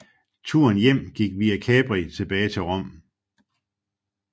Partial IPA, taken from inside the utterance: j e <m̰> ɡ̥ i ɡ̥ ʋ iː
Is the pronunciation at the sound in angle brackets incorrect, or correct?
correct